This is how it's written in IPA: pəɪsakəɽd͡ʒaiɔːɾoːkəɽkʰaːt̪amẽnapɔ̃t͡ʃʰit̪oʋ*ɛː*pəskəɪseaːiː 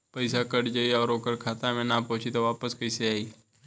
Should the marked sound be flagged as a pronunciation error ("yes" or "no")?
yes